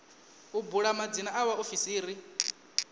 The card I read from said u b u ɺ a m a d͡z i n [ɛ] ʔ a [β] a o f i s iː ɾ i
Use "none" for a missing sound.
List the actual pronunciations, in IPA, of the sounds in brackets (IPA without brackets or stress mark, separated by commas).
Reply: a, w